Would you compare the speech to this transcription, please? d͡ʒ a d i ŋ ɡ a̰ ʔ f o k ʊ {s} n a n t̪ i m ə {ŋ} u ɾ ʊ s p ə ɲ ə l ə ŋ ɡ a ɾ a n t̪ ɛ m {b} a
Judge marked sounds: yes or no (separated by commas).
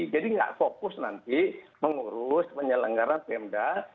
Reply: yes, yes, no